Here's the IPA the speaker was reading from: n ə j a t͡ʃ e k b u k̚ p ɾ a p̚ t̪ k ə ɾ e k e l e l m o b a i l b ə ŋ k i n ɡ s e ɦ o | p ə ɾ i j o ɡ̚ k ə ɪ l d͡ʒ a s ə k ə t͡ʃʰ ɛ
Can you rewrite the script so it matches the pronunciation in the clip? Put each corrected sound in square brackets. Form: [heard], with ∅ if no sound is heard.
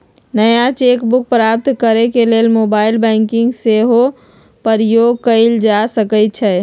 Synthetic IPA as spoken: n ə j a t͡ʃ e k b u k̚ p ɾ a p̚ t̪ k ə ɾ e k e l e l m o b a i l b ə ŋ k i [ŋ] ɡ s e ɦ o | p ə ɾ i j o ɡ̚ k ə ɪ l d͡ʒ a s ə k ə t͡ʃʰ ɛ

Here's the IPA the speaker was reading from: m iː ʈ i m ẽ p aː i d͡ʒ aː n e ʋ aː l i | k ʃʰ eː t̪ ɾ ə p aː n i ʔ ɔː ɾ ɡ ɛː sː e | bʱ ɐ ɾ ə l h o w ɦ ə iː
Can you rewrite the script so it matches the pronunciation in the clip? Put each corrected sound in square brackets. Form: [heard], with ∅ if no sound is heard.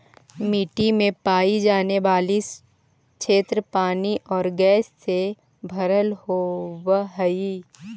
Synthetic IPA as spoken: m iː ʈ i m ẽ p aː i d͡ʒ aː n e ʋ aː l i | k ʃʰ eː t̪ ɾ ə p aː n i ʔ ɔː ɾ ɡ ɛː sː e | bʱ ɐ ɾ ə l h o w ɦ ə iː

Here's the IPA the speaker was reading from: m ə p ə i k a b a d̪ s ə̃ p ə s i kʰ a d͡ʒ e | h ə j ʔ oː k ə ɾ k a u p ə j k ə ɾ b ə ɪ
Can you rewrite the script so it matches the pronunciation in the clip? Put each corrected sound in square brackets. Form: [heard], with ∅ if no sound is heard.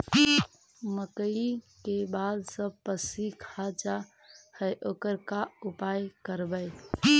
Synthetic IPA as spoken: m ə [k] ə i k [e] b a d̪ s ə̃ p ə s i kʰ a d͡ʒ [a] | h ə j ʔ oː k ə ɾ k a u p [a] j k ə ɾ b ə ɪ

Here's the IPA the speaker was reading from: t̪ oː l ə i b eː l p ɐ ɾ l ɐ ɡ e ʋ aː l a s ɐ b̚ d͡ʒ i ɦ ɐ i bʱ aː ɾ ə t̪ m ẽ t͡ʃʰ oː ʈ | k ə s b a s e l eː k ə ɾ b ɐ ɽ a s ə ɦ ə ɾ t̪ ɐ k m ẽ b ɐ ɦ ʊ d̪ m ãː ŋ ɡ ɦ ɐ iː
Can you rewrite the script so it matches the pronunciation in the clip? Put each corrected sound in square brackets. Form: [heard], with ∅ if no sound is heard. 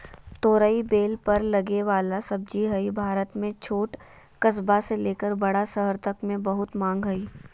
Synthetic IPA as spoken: t̪ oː [ɾ] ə i b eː l p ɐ ɾ l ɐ ɡ e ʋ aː l a s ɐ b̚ d͡ʒ i ɦ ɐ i bʱ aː ɾ ə t̪ m ẽ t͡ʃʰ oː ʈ | k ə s b a s e l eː k ə ɾ b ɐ ɽ a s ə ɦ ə ɾ t̪ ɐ k m ẽ b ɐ ɦ ʊ [t̪] m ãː ŋ ɡ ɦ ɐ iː

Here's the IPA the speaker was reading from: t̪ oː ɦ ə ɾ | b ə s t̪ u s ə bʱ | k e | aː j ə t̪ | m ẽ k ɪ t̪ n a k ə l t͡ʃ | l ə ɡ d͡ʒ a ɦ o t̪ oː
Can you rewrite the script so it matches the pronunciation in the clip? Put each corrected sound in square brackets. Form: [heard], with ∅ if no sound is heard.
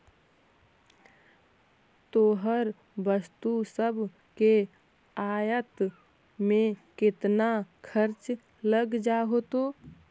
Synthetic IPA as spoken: t̪ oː ɦ ə ɾ | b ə s t̪ u s ə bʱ | k e | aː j ə t̪ | m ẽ k ɪ t̪ n a [kʰ] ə [ɾ] t͡ʃ | l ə ɡ d͡ʒ a ɦ o t̪ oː

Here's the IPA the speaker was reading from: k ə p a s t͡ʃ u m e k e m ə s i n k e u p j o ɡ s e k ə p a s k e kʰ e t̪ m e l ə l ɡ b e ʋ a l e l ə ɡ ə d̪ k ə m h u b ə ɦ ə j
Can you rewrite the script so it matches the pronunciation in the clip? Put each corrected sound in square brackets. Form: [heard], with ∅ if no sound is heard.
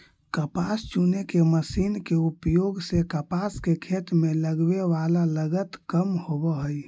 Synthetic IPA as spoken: k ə p a s t͡ʃ u [n] e k e m ə s i n k e u p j o ɡ s e k ə p a s k e kʰ e t̪ m e l ə [∅] ɡ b e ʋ a l [a] l ə ɡ ə [t̪] k ə m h [o] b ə ɦ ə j

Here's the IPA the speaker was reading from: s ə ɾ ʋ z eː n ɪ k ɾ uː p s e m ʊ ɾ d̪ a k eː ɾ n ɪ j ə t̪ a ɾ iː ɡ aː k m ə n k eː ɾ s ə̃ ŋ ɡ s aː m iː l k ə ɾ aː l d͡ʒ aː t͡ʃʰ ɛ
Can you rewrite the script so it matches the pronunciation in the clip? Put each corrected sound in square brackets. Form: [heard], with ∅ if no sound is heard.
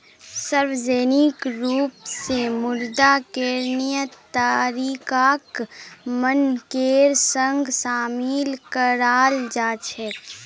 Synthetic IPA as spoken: s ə ɾ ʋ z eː n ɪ k ɾ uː p s e m ʊ ɾ d̪ a k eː ɾ n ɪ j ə t̪ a ɾ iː [k] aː k m ə n k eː ɾ s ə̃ ŋ ɡ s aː m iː l k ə ɾ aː l d͡ʒ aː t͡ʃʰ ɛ

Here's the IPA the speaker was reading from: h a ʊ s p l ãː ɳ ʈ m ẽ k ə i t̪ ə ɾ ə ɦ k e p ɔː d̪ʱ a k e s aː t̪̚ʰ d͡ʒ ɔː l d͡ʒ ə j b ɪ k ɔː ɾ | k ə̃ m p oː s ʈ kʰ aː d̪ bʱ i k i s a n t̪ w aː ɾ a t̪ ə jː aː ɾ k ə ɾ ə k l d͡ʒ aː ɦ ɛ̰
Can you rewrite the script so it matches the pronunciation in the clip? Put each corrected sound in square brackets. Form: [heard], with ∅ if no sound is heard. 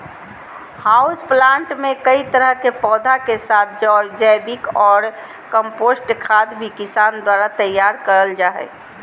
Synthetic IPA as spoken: h a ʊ s p l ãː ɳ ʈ m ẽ k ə i t̪ ə ɾ ə ɦ k e p ɔː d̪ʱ a k e s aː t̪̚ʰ d͡ʒ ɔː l d͡ʒ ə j b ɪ k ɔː ɾ | k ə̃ m p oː s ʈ kʰ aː d̪ bʱ i k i s a n [d̪] w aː ɾ a t̪ ə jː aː ɾ k ə ɾ ə [∅] l d͡ʒ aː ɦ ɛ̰

